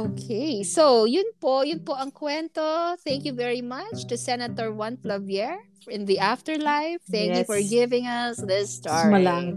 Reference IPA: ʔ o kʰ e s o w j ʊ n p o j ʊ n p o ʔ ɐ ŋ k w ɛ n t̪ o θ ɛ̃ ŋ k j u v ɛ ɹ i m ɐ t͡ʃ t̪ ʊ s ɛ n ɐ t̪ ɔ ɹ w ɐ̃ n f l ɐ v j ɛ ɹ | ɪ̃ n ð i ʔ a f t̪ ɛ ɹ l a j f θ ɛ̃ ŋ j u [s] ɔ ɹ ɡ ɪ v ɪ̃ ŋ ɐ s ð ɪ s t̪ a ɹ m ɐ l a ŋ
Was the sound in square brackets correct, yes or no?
no